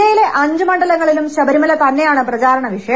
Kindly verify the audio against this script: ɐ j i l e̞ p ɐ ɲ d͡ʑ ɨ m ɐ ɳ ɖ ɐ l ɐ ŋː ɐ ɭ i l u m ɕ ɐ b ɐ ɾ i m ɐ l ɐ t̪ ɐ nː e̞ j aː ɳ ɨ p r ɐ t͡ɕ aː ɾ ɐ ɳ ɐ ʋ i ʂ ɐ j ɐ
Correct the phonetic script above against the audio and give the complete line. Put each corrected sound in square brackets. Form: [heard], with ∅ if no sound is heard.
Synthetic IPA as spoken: ɐ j i l e̞ [ʔ] ɐ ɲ d͡ʑ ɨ m ɐ ɳ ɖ ɐ l ɐ ŋː ɐ ɭ i l u m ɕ ɐ b ɐ ɾ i m ɐ l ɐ t̪ ɐ nː e̞ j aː ɳ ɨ p r ɐ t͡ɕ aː ɾ ɐ ɳ ɐ ʋ i ʂ ɐ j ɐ